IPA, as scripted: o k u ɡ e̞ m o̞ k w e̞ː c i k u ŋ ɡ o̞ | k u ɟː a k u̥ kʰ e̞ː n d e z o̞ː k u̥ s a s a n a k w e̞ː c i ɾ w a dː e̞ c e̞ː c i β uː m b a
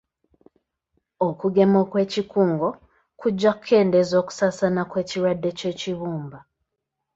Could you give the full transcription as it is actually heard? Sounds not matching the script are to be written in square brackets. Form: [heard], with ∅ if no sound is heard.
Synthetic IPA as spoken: o k u ɡ e̞ m o̞ k w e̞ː c i k [uː] ŋ ɡ o̞ | k u ɟː a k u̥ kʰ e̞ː n d e z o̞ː k u̥ s a s a n a k w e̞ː c i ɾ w a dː e̞ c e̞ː c i β uː m b a